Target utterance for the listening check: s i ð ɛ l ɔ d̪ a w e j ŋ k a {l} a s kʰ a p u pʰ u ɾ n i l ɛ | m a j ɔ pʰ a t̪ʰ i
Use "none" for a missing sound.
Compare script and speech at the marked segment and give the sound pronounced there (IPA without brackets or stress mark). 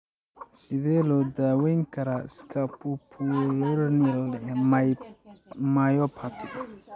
ɾ